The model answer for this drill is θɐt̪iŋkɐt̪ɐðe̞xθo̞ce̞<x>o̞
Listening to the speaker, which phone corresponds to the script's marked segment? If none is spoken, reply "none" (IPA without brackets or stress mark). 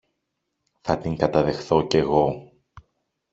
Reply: ɣ